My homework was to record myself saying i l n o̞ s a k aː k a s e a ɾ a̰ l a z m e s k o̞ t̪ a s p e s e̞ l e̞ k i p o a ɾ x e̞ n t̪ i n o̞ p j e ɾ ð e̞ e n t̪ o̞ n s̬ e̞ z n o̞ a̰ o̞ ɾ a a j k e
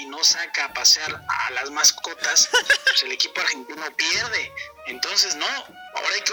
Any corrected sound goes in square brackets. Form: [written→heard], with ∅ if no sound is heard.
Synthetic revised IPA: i [l→∅] n o̞ s a k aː [k→p] a s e a ɾ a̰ l a z m [e→a] s k o̞ t̪ a s p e s e̞ l e̞ k i p o a ɾ x e̞ n t̪ i n o̞ p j e ɾ ð e̞ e n t̪ o̞ n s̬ e̞ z n o̞ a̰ o̞ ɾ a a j k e